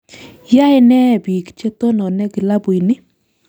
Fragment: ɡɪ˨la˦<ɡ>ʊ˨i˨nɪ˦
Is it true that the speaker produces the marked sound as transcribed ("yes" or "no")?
no